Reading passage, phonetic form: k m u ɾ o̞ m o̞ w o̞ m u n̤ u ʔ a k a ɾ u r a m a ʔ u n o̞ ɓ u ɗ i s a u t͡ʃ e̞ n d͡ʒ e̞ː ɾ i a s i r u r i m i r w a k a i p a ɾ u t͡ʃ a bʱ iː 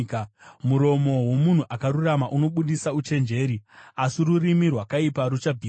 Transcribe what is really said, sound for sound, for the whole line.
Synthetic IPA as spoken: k m u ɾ o̞ m o̞ w o̞ m u n̤ u ʔ a k a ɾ u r a m a ʔ u n o̞ ɓ u ɗ i s a u t͡ʃ e̞ n d͡ʒ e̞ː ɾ i a s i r u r i m i r w a k a i p a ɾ u t͡ʃ a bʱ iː

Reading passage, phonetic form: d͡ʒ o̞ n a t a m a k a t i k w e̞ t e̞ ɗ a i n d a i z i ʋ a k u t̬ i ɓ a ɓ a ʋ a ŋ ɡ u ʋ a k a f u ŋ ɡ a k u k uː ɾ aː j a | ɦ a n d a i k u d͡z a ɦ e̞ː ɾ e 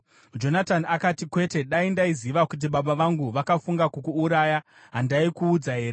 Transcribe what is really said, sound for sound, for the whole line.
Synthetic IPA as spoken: d͡ʒ o̞ n a t a n a k a t i k w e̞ t e̞ ɗ a i n d a i z i ʋ a k u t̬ i ɓ a ɓ a ʋ a ŋ ɡ u ʋ a k a f u ŋ ɡ a k u k uː ɾ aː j a | ɦ a n d a i k uː d͡z a ɦ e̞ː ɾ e

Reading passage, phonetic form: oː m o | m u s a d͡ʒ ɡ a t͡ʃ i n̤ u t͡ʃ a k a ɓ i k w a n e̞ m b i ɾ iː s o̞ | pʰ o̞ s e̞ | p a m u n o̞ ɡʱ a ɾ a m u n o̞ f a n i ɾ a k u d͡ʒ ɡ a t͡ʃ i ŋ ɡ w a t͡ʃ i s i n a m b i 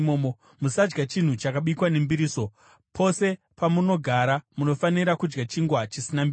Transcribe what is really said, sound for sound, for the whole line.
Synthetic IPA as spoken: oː m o | m u s a d͡ʒ ɡ a t͡ʃ i n̤ u t͡ʃ a k a ɓ i k w a n e̞ m b i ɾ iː s o̞ | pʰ o̞ s e̞ | p a m u n o̞ ɡʱ a ɾ a m u n o̞ f a n i ɾ a k u d͡ʒ ɡ a t͡ʃ i ŋ ɡ w a t͡ʃ i s i n a m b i

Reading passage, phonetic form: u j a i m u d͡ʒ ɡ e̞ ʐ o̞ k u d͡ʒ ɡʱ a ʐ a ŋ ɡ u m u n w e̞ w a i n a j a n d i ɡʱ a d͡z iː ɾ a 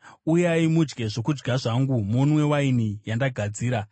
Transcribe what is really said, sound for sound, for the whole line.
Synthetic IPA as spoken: u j a i m u d͡ʒ ɡ e̞ ʐ o̞ k u d͡ʒ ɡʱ a ʐ a ŋ ɡ u m u n w e̞ w a i n i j a n d a ɡʱ a d͡z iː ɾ a

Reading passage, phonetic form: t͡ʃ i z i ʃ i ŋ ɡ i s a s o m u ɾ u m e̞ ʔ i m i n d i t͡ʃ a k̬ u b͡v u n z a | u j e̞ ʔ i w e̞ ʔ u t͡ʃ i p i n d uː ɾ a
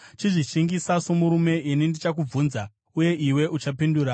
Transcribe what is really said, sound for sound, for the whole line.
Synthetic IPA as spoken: t͡ʃ i ʐ i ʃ i ŋ ɡ i s a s o m u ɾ u m e̞ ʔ i n i n d i t͡ʃ a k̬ u b͡v u n z a | u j e̞ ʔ i w e̞ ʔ u t͡ʃ a p i n d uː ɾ a

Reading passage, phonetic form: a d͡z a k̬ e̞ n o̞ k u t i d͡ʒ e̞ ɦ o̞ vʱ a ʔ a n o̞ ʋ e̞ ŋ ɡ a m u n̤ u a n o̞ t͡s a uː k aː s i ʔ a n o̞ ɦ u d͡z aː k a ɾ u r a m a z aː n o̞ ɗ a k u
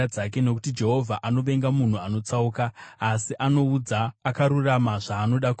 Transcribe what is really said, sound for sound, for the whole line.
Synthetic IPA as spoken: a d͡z a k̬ e̞ n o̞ k u t i d͡ʒ e̞ ɦ o̞ vʱ a ʔ a n o̞ ʋ e̞ ŋ ɡ a m u n̤ u a n o̞ t͡s a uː k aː s i ʔ a n o̞ u d͡z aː k a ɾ u r a m a ʐ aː n o̞ ɗ a k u

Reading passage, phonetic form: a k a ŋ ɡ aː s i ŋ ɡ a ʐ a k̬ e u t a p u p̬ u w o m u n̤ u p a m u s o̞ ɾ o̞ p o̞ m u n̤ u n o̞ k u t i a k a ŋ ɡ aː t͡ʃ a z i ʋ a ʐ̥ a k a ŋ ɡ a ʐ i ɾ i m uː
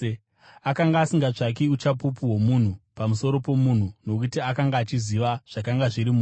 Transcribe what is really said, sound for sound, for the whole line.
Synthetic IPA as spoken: a k a ŋ ɡ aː s i ŋ ɡ a ʐ a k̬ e u t͡ʃ a p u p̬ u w o m u n̤ u p a m u s o̞ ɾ o̞ p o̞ m u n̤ u n o̞ k u t i a k a ŋ ɡ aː t͡ʃ i z i ʋ a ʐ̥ a k a ŋ ɡ a ʐ i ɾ i m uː

